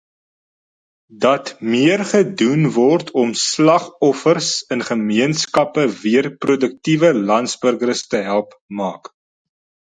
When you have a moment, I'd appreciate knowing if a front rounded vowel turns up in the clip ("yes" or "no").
no